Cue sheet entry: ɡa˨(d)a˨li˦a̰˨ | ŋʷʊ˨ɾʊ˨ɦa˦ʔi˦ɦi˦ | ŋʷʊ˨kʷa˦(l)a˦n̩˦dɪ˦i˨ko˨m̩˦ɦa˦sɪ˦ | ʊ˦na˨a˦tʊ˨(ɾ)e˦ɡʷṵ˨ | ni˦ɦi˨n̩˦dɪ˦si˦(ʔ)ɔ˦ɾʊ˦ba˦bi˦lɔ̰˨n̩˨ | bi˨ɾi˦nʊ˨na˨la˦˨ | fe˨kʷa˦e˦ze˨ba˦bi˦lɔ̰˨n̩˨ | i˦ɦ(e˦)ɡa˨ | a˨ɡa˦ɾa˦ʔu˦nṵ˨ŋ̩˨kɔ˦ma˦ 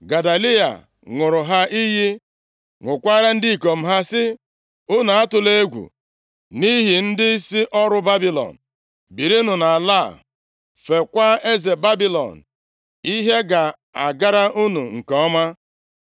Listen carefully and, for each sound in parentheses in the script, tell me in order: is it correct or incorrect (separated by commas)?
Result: correct, incorrect, incorrect, correct, correct